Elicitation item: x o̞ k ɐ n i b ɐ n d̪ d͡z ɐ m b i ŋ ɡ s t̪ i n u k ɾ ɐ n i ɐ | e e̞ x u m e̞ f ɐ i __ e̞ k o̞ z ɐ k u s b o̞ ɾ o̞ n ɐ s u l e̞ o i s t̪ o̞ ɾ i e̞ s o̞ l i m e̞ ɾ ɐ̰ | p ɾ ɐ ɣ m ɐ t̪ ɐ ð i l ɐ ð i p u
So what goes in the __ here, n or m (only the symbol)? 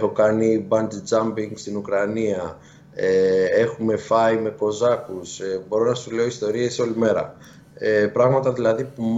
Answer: m